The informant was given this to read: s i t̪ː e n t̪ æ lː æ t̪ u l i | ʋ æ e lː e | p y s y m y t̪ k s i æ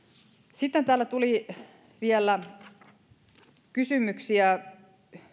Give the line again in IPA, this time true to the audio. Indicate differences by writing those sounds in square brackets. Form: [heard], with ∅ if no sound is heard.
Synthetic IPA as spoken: s i t̪ː e n t̪ [æː] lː æ t̪ u l i | ʋ [i] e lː [æ] | [k] y s y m y [∅] k s i æ